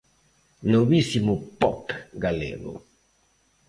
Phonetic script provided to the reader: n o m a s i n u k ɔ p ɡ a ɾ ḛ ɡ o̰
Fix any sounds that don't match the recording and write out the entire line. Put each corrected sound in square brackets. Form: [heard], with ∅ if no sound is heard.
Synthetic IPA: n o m [i] s i [m] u [p] ɔ p ɡ a [l] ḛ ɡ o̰